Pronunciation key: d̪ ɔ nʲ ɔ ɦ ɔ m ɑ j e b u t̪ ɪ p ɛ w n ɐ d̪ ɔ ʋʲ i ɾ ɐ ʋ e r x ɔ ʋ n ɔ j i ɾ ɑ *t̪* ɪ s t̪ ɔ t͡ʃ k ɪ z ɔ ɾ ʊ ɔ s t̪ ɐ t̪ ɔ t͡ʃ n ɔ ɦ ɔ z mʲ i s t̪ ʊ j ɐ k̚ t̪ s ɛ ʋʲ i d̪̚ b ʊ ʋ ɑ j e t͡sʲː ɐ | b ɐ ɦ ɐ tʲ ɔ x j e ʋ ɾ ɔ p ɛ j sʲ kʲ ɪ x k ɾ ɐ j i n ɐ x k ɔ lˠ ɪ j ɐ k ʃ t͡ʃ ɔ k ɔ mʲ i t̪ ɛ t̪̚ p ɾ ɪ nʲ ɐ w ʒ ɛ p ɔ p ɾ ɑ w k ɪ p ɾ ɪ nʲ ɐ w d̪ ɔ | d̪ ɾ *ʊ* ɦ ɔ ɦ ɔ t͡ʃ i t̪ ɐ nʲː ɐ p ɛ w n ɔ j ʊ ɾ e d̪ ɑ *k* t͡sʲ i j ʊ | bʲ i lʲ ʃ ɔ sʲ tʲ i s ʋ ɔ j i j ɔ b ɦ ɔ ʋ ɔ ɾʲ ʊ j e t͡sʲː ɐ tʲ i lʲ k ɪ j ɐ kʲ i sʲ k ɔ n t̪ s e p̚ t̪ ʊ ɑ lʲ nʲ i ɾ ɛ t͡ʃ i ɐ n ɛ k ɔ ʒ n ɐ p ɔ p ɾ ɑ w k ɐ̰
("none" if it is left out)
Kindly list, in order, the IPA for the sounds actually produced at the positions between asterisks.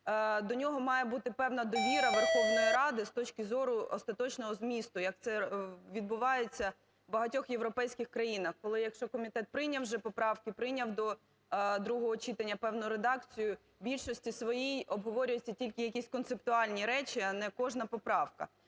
d̪, u, k

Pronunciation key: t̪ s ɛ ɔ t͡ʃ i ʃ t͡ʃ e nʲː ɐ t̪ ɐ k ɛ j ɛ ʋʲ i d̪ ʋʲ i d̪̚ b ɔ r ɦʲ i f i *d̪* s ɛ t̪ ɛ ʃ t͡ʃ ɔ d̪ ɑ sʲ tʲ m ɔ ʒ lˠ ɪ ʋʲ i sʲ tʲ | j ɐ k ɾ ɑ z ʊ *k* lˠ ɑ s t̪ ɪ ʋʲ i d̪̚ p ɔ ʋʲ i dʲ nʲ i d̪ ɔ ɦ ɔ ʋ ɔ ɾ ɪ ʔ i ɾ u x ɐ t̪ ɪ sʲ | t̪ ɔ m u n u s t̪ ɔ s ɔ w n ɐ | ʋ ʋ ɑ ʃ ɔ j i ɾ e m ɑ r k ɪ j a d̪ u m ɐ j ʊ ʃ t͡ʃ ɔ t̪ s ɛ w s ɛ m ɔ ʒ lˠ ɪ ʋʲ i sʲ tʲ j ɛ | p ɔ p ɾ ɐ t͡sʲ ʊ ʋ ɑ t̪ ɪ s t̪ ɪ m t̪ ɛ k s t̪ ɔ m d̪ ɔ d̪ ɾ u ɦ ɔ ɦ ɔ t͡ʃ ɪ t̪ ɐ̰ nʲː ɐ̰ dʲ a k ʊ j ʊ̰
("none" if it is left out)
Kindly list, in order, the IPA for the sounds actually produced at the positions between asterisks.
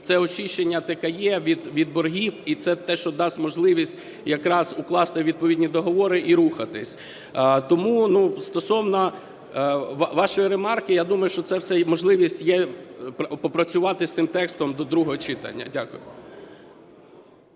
t̪, k

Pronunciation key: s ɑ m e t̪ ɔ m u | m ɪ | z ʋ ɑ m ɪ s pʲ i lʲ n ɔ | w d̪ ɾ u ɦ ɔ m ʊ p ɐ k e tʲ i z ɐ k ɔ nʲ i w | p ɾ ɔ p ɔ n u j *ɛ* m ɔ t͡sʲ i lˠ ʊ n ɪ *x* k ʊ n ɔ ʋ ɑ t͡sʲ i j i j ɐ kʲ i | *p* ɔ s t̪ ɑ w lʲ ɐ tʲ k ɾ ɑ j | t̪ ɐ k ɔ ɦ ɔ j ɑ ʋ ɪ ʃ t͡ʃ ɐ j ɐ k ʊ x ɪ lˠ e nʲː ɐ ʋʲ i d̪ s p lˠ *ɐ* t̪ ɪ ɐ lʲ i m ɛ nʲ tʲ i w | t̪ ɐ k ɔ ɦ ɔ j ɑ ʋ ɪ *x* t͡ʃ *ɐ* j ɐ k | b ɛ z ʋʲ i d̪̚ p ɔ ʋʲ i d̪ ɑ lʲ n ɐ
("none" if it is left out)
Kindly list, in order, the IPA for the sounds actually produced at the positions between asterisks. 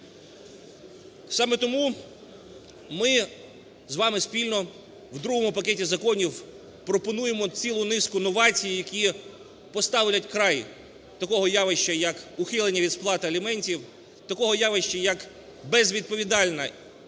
e, s, p, ɑ, ʃ, ɐ

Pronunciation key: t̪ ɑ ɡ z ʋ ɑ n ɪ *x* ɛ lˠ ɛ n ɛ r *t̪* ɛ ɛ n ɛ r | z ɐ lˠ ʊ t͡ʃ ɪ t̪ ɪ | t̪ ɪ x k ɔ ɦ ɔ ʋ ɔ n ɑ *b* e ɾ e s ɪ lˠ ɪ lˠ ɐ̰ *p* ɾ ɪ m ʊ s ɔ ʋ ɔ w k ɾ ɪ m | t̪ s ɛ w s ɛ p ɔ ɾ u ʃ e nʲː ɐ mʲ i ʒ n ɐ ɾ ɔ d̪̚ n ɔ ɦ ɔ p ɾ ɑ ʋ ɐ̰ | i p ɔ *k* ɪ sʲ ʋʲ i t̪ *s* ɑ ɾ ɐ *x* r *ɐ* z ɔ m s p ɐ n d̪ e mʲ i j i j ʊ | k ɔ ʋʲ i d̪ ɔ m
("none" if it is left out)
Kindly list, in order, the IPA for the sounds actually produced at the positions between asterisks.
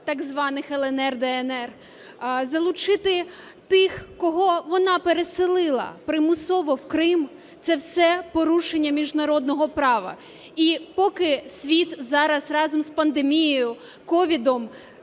x, d̪, p, p, k, z, s, ɑ

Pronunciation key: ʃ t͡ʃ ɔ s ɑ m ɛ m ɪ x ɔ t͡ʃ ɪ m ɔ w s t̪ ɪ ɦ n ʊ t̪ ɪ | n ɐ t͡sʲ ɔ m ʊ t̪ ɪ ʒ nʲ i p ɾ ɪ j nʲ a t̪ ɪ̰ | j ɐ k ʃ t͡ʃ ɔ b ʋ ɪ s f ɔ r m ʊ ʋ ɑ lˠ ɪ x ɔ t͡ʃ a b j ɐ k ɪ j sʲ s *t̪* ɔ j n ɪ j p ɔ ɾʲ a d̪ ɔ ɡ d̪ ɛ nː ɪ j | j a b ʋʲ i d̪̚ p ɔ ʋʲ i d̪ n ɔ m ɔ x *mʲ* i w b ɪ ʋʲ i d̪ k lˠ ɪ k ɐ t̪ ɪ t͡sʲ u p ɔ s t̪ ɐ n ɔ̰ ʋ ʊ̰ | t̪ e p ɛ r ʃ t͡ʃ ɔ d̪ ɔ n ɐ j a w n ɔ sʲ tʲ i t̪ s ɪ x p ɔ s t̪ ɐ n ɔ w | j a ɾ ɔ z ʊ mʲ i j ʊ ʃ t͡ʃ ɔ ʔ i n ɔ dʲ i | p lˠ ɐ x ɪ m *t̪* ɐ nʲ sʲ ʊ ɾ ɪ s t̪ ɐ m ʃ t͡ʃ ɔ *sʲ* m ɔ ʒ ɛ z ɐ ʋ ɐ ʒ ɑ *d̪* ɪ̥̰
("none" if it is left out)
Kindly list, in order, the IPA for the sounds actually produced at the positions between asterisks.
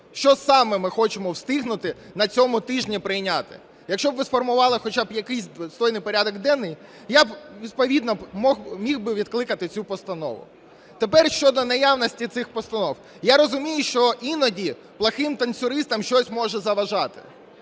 t̪, mʲ, t̪, sʲ, t̪

